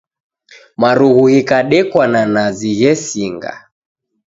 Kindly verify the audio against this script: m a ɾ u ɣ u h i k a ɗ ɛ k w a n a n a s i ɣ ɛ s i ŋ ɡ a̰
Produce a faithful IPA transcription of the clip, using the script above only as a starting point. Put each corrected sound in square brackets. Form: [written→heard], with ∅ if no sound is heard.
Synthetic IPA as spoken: m a ɾ u ɣ u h i k a ɗ ɛ k w a n a n a [s→z] i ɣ ɛ s i ŋ ɡ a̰